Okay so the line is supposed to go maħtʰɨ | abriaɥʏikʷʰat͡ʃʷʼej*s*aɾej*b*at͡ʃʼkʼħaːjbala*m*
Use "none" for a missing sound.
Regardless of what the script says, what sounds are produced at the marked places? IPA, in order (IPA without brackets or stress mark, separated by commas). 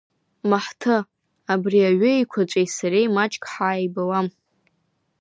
s, m, m